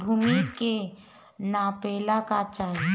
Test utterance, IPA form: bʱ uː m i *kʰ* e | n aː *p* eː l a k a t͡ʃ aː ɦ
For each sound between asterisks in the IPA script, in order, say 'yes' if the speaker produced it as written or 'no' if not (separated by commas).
no, yes